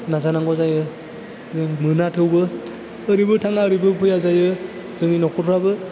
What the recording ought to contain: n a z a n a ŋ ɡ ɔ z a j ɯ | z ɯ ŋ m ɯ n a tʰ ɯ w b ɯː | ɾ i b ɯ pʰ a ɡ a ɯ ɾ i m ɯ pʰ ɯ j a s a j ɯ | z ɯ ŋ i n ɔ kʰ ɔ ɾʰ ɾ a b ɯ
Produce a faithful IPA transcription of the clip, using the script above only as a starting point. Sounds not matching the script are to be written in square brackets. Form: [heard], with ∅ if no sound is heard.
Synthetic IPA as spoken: n a z a n a ŋ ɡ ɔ z a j ɯ | z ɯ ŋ m ɯ n a tʰ ɯ w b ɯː | ɾ i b ɯ [tʰ] a [ŋ] a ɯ ɾ i [b] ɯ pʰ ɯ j a [z] a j ɯ | z ɯ ŋ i n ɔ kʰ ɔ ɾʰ ɾ a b ɯ